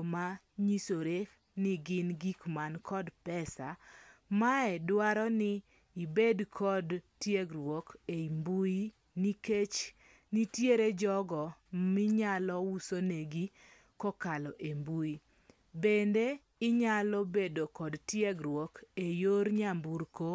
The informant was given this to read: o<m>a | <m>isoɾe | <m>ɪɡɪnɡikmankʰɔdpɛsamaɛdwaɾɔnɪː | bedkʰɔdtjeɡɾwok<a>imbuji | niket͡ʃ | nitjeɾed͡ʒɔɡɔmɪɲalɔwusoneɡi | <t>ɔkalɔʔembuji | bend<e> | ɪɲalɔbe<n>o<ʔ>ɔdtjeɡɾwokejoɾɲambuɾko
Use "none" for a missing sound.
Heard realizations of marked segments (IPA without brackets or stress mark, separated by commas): m, ɲ, n, e, k, e, d, k